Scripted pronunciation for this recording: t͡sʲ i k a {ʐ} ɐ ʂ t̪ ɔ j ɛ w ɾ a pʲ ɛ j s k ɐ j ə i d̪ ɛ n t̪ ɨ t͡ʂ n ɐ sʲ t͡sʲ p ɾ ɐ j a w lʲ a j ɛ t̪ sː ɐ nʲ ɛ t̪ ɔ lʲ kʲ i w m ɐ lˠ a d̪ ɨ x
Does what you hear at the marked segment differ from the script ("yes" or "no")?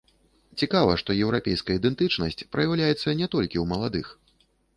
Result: yes